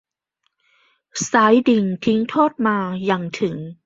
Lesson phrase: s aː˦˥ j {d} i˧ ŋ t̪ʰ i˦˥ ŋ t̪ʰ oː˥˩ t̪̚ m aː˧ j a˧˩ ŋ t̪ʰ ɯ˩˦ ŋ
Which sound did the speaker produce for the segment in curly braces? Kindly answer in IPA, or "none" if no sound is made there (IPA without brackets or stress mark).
d